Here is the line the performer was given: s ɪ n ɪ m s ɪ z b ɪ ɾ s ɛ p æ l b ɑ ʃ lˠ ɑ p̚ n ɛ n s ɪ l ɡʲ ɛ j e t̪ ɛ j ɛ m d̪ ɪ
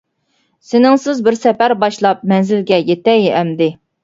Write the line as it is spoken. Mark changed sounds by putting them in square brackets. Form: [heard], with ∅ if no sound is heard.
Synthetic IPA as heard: s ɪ n ɪ [ŋ] s ɪ z b ɪ ɾ s ɛ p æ [ɾ] b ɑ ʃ lˠ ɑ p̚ [m] ɛ n [z] ɪ l ɡʲ ɛ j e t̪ ɛ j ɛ m d̪ ɪ